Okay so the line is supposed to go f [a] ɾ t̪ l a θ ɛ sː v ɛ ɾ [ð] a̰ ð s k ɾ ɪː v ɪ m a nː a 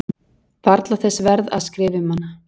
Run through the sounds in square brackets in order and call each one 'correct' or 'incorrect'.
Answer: correct, correct

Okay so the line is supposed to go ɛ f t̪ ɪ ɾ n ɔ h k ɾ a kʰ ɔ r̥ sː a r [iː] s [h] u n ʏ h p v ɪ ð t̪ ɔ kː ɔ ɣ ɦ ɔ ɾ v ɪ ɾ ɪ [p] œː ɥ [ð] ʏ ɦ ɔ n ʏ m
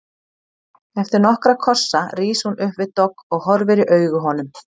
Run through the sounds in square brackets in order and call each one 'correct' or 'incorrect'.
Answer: correct, correct, incorrect: ʔ, incorrect: ɣ

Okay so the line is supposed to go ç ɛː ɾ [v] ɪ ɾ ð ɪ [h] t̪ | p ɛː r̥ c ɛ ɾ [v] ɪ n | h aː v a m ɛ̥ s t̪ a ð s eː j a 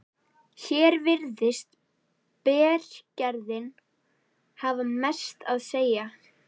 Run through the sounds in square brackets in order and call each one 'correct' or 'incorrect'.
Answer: correct, incorrect: s, incorrect: ð

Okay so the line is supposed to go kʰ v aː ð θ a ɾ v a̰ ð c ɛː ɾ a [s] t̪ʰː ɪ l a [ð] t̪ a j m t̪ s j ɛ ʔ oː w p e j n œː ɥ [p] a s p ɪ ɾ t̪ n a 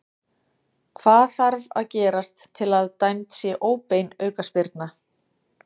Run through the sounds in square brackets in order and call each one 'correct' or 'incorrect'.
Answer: correct, correct, incorrect: k

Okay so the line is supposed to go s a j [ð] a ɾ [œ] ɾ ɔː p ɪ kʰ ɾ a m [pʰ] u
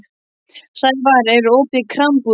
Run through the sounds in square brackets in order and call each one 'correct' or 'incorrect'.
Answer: incorrect: v, incorrect: ɛ, incorrect: p

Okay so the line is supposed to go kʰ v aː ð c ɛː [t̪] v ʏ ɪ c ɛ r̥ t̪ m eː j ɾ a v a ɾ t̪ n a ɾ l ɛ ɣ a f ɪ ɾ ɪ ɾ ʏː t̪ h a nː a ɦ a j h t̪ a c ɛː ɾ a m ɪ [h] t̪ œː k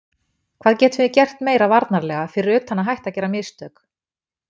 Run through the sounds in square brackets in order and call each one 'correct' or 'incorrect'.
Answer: correct, incorrect: s

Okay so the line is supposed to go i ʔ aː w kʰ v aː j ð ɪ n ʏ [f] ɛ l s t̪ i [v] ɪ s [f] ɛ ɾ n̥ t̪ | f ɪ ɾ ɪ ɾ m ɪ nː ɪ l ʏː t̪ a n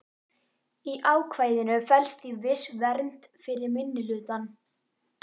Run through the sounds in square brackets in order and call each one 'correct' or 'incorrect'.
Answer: correct, correct, incorrect: v

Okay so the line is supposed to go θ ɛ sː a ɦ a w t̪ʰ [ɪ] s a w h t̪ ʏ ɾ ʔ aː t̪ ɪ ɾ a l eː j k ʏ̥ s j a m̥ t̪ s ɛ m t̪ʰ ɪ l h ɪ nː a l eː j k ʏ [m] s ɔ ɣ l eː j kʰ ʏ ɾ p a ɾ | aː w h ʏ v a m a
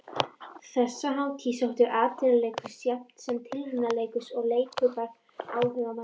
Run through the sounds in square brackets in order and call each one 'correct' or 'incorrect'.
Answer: incorrect: i, incorrect: none

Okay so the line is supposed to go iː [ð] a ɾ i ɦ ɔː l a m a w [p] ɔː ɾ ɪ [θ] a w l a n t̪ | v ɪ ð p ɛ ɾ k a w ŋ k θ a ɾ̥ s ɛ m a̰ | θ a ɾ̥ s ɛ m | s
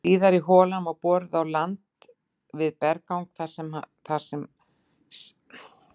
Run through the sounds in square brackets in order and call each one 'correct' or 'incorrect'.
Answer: correct, correct, incorrect: ð

